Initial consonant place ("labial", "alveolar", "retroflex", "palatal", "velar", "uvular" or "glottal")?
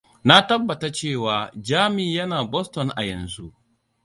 alveolar